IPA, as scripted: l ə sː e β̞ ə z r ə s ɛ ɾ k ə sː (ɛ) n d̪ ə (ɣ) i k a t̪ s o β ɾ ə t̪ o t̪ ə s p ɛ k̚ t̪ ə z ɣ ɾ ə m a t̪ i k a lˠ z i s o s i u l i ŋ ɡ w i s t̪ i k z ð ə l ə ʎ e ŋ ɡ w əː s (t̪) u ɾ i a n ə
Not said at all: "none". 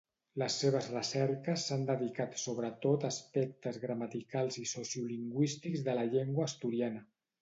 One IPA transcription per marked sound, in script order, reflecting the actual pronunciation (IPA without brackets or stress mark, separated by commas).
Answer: a, ð, t̪